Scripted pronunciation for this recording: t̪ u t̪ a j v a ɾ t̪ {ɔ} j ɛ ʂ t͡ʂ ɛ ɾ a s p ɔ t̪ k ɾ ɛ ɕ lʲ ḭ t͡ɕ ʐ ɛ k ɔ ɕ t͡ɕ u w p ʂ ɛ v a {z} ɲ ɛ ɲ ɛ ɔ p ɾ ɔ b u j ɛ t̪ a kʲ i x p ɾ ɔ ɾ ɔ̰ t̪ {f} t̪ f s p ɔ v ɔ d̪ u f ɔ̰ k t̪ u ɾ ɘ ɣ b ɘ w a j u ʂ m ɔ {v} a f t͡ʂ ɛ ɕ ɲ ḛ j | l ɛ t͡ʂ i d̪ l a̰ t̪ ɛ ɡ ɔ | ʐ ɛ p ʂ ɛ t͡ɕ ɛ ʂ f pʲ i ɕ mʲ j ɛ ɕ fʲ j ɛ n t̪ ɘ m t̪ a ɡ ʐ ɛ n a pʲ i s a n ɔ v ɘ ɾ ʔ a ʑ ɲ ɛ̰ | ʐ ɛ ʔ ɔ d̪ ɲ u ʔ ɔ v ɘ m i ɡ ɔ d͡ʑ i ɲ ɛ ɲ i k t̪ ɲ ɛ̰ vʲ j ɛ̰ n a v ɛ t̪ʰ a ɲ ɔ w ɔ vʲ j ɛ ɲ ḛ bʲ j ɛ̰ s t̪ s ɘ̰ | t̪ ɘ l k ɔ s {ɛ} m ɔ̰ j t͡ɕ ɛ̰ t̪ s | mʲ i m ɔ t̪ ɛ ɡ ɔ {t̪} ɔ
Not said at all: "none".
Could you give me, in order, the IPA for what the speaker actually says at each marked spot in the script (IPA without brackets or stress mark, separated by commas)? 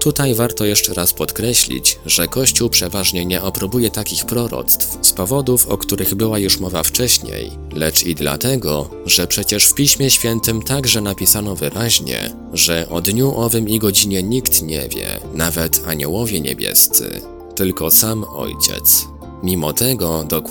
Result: ɔ, ʐ, s, v, a, d̪